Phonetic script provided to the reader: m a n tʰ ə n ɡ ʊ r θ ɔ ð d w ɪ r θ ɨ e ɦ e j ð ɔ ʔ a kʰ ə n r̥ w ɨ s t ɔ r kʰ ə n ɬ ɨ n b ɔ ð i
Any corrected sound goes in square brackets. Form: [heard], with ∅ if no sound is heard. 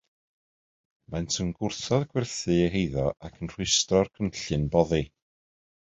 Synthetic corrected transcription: m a n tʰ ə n ɡ ʊ r θ ɔ ð [ɡ] w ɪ r θ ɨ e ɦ e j ð ɔ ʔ a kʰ ə n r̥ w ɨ s t ɔ r kʰ ə n ɬ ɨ n b ɔ ð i

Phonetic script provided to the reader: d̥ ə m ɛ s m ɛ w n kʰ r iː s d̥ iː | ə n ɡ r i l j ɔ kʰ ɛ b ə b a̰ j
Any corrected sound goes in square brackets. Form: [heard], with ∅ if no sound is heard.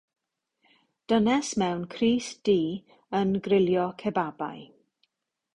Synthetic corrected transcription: d̥ ə [n] ɛ s m ɛ w n kʰ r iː s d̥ iː | ə n ɡ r [ɪ] l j ɔ kʰ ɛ b [a] b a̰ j

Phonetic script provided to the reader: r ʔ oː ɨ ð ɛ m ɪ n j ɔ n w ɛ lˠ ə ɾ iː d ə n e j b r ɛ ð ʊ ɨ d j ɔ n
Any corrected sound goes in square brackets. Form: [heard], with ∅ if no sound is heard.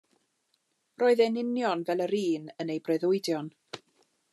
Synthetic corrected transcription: r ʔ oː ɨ ð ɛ [n] ɪ n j ɔ n [v] ɛ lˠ ə ɾ iː [n] ə n e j b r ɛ ð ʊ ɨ d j ɔ n

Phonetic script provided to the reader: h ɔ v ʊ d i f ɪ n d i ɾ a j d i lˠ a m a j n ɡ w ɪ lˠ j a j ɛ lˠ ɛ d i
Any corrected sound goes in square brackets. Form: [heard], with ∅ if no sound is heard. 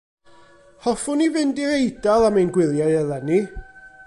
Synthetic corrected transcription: h ɔ [f] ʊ [n] i [v] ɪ n d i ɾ [e] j d [a] lˠ a m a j n ɡ w ɪ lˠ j a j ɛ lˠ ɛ [n] i

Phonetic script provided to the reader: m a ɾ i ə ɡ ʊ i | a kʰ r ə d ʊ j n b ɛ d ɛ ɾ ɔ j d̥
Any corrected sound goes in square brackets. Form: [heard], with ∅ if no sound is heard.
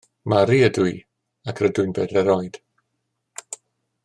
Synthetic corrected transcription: m a ɾ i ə [d] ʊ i | a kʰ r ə d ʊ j n b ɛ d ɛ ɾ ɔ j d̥

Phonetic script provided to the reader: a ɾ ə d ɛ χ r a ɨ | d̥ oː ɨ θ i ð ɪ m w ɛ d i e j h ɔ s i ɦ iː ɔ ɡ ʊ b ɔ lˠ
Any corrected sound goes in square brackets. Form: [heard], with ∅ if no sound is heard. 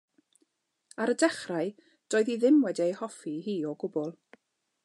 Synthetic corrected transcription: a ɾ ə d ɛ χ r a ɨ | d̥ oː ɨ [ð] i ð ɪ m w ɛ d i e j h ɔ [f] i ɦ iː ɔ ɡ ʊ b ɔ lˠ

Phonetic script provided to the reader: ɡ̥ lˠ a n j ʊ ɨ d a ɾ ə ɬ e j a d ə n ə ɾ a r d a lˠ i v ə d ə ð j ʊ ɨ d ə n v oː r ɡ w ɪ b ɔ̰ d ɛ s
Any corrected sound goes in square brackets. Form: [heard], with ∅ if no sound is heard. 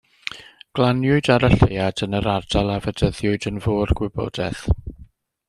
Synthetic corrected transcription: ɡ̥ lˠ a n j ʊ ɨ d a ɾ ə ɬ e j a d ə n ə ɾ a r d a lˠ [a] v ə d ə ð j ʊ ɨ d ə n v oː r ɡ w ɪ b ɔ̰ d ɛ [θ]

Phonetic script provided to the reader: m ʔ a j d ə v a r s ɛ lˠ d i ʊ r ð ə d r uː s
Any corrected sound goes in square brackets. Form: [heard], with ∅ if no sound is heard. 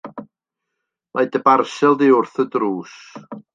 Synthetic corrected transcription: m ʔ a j d ə [b] a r s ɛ lˠ d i ʊ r [θ] ə d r uː s

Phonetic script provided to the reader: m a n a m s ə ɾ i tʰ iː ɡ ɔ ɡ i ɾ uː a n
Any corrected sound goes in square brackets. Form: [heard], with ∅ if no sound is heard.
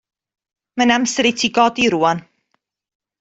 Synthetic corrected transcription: m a n a m s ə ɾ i tʰ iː ɡ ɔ [d] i ɾ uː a n

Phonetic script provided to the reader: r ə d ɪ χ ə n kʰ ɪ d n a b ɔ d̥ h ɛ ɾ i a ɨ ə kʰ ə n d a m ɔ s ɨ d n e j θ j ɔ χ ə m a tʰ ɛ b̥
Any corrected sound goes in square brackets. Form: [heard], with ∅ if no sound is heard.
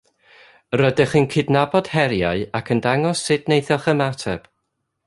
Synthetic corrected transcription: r ə d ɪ χ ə n kʰ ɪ d n a b ɔ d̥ h ɛ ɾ [j] a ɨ [a] kʰ ə n d a [ŋ] ɔ s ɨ d n e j θ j ɔ χ ə m a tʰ ɛ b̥

